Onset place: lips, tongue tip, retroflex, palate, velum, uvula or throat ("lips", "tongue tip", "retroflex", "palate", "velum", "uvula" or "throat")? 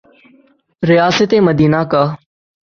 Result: tongue tip